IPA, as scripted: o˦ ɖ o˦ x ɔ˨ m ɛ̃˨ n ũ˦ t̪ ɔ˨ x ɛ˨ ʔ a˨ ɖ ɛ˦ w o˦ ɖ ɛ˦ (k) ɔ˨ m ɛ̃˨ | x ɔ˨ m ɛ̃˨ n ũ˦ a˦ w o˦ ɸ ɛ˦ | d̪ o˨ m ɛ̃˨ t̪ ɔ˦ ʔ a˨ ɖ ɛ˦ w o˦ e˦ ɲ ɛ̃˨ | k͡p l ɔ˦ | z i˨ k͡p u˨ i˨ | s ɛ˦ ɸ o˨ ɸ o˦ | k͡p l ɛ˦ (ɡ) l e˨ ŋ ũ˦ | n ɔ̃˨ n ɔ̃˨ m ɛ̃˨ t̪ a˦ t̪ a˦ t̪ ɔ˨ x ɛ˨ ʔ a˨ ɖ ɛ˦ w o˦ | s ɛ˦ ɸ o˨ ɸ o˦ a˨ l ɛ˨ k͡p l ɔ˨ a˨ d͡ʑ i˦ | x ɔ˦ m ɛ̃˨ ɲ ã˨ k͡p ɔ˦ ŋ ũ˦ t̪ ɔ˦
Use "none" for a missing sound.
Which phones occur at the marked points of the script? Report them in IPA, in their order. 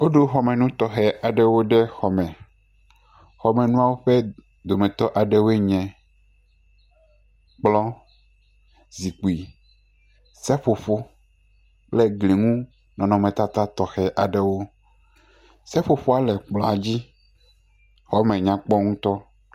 x, ɡ

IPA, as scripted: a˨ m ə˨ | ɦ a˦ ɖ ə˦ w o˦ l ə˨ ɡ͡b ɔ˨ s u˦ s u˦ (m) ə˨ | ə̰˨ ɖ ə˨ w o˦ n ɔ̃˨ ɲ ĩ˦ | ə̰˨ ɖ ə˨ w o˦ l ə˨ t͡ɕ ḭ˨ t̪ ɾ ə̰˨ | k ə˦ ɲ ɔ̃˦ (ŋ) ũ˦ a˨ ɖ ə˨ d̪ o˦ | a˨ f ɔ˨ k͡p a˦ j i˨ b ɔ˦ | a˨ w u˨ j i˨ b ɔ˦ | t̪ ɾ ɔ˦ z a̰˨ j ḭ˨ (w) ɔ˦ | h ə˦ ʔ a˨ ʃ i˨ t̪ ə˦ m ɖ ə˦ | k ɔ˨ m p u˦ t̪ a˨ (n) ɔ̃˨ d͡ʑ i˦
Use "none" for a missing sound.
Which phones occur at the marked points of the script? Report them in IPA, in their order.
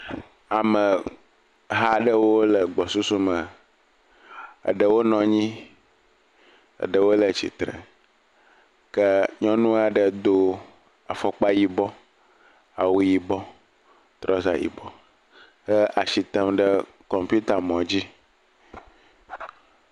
m, n, b, m

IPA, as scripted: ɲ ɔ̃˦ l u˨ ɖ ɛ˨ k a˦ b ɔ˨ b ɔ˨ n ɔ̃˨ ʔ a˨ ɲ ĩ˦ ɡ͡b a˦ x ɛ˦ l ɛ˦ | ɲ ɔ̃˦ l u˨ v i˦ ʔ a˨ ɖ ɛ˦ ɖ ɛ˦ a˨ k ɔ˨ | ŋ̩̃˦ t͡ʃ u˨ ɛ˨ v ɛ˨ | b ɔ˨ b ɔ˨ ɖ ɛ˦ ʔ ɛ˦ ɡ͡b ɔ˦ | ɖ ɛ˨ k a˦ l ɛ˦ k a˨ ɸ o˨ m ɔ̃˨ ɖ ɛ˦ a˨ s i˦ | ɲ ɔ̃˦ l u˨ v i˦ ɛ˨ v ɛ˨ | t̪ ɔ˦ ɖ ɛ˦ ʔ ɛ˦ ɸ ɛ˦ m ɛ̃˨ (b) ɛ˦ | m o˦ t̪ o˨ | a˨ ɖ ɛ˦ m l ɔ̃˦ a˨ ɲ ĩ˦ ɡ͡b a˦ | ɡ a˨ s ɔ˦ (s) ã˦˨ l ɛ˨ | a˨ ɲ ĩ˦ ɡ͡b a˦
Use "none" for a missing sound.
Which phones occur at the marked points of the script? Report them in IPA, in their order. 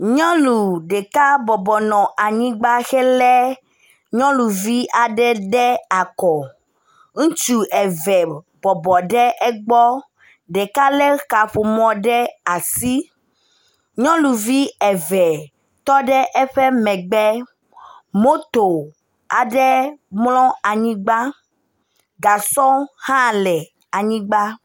ɡ͡b, h

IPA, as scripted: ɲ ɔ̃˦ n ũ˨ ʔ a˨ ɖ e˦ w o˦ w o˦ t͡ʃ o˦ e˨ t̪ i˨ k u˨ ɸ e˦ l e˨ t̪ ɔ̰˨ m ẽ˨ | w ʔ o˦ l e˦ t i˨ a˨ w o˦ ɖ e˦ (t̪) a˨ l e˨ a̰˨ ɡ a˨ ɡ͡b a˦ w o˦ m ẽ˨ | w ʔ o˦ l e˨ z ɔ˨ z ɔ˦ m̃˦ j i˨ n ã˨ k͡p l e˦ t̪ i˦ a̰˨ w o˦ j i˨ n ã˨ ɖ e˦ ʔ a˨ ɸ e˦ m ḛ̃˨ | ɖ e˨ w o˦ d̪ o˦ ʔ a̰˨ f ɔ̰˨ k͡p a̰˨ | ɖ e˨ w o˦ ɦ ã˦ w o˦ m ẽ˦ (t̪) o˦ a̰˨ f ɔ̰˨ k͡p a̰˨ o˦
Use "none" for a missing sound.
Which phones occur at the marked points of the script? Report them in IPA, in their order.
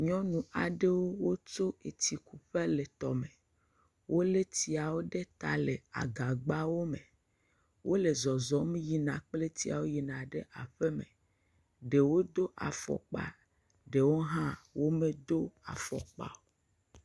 t̪, d̪

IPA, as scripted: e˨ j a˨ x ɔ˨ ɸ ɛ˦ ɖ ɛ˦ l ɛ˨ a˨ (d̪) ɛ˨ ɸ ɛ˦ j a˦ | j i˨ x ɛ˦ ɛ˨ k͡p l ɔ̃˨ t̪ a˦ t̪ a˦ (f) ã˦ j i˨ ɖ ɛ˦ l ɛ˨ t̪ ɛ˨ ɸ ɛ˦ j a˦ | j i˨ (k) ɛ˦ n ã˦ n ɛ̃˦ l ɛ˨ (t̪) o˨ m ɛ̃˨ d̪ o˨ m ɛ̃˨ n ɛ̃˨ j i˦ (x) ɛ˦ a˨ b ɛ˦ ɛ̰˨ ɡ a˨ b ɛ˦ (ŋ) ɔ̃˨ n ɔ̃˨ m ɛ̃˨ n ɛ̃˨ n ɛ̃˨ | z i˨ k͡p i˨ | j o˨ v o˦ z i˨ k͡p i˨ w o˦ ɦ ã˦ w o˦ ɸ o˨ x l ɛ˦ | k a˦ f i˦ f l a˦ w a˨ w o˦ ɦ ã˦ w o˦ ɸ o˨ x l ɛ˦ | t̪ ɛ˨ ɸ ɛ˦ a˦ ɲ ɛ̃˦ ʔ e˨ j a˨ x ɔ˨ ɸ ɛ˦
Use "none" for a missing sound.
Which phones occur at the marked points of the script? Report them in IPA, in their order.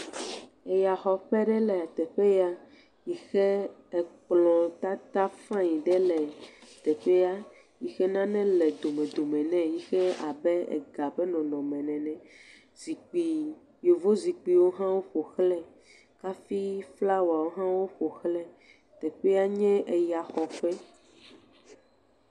t̪, f, x, d̪, x, n

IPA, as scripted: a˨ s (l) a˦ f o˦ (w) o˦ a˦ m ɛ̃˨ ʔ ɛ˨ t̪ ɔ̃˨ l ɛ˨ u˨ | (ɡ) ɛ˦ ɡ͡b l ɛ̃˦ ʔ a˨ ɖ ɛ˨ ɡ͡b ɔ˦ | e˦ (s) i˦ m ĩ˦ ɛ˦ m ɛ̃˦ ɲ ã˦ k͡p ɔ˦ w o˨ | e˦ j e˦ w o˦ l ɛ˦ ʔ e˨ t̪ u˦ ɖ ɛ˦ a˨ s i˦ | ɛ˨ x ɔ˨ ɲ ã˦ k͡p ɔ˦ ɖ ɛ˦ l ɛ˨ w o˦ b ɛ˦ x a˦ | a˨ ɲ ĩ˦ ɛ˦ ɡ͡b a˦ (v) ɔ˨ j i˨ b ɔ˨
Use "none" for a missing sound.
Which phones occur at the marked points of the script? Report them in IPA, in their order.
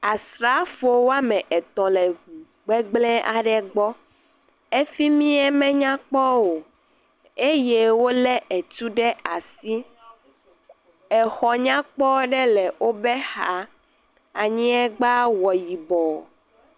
ɾ, w, ɡ͡b, f, w

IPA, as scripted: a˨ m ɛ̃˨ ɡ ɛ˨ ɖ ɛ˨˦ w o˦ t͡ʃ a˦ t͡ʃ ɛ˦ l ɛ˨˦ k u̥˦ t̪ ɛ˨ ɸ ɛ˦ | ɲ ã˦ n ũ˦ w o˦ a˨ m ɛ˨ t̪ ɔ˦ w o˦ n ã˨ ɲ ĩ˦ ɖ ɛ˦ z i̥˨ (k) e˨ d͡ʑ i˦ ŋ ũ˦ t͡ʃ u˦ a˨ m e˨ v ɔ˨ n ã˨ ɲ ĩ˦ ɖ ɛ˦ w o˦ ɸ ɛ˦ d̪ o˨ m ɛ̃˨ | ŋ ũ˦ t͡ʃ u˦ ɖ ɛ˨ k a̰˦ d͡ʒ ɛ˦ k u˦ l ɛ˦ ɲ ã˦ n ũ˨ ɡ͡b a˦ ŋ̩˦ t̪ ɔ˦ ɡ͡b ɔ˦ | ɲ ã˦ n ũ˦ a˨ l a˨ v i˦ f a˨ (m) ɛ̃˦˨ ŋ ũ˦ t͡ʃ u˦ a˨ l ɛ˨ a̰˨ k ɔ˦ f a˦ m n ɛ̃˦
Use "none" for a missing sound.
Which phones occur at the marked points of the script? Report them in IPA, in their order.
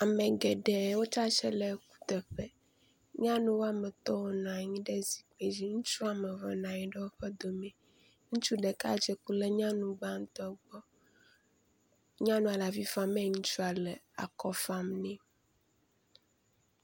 k͡p, m

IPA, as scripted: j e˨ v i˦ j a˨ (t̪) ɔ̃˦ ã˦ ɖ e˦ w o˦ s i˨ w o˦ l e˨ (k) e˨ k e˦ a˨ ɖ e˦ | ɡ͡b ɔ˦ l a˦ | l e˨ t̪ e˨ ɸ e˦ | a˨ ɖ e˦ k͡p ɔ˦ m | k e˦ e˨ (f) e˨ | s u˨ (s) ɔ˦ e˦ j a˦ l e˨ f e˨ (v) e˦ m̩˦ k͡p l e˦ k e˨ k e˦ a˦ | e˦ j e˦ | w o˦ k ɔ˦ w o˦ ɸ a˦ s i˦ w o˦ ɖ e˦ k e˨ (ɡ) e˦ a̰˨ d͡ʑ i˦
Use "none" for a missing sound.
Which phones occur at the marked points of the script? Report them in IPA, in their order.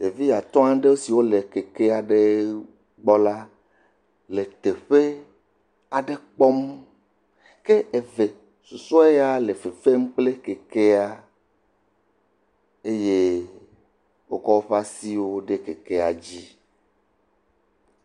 t̪, k, v, s, f, k

